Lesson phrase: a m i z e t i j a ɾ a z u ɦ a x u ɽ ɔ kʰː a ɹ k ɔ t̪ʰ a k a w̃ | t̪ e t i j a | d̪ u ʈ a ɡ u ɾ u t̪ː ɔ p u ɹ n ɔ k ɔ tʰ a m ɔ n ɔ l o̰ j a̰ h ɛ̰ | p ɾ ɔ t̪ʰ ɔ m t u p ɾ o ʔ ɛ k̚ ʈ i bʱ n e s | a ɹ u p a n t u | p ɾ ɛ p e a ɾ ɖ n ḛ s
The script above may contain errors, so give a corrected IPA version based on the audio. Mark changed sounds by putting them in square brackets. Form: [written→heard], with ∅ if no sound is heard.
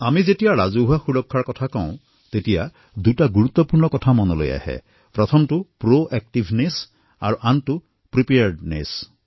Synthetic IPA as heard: a m i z e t i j a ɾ a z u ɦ a x u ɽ ɔ kʰː a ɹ k ɔ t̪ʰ a k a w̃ | t̪ e t i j a | d̪ u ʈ a ɡ u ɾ u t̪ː ɔ p u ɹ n ɔ k ɔ tʰ a m ɔ n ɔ l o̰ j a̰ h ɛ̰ | p ɾ ɔ t̪ʰ ɔ m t u p ɾ o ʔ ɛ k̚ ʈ i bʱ n e s | a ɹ u [p→ʔ] a n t u | p ɾ [ɛ→i] p e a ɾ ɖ n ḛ s